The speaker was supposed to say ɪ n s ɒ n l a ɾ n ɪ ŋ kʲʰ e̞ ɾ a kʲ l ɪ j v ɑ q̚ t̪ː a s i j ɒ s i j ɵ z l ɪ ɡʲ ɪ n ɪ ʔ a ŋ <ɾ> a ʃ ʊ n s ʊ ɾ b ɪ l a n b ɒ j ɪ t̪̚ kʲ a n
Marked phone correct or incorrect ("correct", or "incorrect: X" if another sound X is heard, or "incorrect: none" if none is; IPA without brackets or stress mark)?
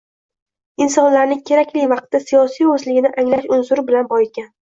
incorrect: l